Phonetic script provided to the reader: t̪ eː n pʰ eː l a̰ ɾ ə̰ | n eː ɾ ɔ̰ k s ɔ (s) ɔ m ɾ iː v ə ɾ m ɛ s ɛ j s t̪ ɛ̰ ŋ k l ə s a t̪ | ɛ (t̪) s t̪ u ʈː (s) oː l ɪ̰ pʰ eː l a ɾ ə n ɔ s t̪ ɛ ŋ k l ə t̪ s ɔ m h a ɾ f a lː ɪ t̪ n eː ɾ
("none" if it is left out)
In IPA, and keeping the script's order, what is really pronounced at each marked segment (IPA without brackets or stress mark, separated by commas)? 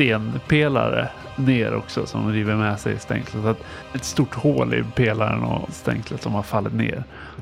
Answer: s, t̪, h